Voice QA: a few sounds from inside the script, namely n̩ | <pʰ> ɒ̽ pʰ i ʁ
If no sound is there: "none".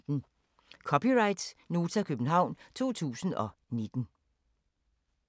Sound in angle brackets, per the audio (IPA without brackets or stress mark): kʰ